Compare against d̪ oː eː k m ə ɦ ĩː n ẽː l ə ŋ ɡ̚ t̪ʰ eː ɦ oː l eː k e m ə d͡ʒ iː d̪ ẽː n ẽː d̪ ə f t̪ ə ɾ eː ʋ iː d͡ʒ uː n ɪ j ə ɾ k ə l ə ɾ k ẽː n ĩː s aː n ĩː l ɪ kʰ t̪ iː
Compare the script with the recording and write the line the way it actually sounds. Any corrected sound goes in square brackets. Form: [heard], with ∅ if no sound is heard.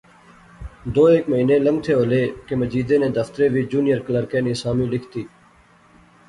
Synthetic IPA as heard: d̪ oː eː k m ə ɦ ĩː n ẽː l ə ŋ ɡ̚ t̪ʰ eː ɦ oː l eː k e m ə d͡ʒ iː d̪ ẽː n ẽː d̪ ə f t̪ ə ɾ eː ʋ iː d͡ʒ uː n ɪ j ə ɾ k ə l ə ɾ k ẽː n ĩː s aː [m] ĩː l ɪ kʰ t̪ iː